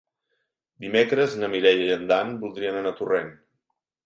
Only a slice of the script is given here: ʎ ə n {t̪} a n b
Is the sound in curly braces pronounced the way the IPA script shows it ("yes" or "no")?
no